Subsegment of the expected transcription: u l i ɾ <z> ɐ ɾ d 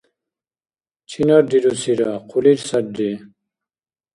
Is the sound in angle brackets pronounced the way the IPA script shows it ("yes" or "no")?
no